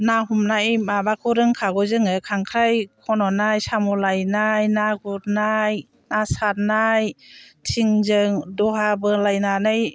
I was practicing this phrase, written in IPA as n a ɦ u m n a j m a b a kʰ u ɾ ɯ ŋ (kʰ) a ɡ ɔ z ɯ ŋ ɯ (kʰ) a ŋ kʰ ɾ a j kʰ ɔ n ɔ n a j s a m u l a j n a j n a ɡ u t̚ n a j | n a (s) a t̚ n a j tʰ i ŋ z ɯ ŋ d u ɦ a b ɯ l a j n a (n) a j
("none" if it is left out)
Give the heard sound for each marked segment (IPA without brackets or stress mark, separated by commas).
kʰ, kʰ, s, n